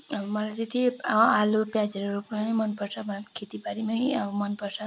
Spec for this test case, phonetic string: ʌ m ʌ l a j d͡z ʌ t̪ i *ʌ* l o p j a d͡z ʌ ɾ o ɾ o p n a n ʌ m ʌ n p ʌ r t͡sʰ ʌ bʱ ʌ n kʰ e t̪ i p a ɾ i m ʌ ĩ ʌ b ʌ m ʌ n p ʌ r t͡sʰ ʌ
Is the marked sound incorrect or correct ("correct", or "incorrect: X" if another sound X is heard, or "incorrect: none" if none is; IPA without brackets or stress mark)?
incorrect: a